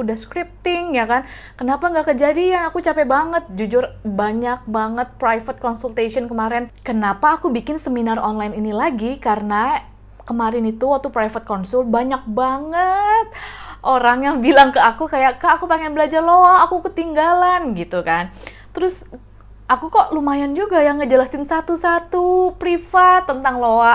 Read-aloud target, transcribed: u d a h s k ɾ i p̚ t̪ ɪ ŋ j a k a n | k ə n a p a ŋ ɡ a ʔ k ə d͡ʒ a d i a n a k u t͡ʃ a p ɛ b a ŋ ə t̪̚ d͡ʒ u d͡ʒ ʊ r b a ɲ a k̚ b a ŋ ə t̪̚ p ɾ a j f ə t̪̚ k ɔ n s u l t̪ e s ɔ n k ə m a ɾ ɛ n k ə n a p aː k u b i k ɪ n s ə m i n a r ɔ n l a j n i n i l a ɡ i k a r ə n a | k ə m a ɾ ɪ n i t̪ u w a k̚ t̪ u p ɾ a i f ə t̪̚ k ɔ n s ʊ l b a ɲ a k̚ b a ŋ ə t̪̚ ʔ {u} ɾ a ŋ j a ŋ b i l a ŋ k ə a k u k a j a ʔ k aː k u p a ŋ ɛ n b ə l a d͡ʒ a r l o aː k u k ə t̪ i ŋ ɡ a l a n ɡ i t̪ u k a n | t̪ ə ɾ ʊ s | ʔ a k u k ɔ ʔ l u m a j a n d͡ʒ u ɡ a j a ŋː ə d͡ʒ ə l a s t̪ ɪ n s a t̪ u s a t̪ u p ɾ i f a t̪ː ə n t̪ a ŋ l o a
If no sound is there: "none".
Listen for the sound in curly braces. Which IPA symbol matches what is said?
o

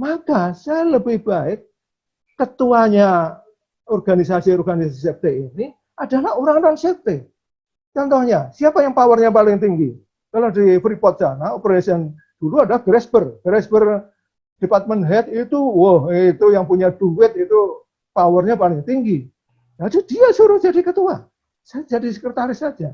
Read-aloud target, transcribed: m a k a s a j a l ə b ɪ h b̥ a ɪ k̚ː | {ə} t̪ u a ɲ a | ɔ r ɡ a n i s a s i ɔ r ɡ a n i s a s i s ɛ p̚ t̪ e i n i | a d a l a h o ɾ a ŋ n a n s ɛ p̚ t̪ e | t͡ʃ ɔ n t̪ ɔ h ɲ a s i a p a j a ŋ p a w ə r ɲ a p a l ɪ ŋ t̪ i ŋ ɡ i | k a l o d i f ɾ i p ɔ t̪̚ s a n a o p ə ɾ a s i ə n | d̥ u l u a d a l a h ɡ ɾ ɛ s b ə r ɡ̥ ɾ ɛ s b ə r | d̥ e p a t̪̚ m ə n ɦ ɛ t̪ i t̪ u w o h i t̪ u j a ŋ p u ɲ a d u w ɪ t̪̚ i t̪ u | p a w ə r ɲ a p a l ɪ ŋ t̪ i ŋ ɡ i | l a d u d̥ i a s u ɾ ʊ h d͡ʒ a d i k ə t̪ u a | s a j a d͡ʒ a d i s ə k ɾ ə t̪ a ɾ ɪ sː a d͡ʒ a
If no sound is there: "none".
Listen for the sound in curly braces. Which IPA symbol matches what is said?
ə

